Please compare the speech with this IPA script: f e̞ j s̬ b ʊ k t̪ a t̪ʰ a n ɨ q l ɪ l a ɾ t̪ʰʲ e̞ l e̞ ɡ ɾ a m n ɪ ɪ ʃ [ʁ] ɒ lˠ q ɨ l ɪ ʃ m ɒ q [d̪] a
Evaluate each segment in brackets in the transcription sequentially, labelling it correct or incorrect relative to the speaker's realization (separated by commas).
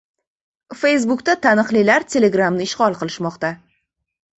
correct, incorrect